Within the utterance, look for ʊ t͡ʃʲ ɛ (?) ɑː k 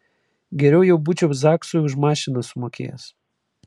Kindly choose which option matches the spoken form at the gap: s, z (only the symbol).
z